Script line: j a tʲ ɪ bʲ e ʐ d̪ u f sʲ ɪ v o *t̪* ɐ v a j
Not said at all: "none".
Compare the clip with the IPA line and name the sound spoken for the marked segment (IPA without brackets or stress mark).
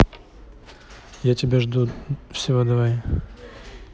d̪